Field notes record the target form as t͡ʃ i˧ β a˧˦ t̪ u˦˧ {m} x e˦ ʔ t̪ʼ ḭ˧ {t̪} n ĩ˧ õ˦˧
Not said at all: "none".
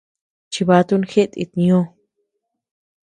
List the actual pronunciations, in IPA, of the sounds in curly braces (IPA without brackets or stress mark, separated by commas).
n, t̪